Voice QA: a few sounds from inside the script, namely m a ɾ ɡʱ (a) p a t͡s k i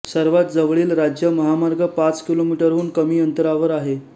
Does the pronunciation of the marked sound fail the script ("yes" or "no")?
yes